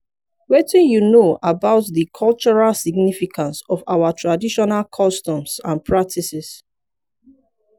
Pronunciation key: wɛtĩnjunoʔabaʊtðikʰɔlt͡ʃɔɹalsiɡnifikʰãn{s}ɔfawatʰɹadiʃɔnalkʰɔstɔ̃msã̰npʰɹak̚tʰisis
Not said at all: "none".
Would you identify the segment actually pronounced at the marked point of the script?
s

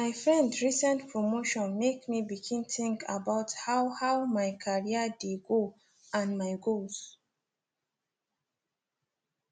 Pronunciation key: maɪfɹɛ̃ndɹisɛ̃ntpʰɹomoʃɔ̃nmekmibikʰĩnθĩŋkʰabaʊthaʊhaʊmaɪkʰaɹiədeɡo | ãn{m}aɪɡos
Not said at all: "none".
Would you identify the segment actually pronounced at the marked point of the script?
m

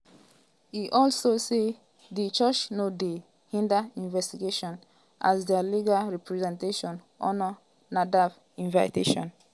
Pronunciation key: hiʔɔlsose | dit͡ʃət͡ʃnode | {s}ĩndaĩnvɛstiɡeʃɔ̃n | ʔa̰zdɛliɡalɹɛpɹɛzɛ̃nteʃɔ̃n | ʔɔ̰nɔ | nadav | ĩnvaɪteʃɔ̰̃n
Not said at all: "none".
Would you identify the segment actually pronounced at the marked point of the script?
h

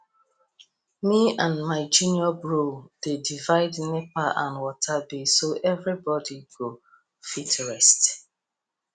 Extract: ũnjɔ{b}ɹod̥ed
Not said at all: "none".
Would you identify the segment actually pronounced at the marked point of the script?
b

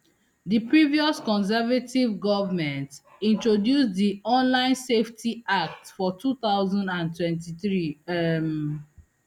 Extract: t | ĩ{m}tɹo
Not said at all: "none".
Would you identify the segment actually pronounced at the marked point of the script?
n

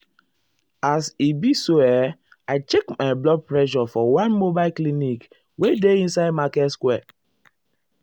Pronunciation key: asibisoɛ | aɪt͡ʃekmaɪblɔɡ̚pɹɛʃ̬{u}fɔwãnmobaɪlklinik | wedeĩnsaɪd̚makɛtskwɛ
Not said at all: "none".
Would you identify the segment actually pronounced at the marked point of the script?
ɔ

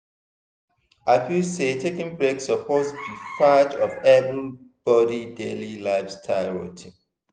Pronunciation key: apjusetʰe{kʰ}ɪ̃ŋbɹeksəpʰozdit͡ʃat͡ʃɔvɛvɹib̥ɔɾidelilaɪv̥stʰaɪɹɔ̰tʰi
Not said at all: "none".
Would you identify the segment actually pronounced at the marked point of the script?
k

